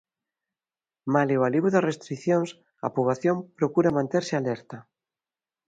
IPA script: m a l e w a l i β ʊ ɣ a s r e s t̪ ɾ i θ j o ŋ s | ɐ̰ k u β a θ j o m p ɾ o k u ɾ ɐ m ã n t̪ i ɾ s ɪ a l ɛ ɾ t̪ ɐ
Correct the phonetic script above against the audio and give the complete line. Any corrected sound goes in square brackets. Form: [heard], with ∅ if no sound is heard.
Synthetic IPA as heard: m a l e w a l i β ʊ [ð] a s r e s t̪ ɾ i θ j o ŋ s | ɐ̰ [p] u β a θ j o m p ɾ o k u ɾ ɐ m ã n t̪ [e] ɾ s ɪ a l ɛ ɾ t̪ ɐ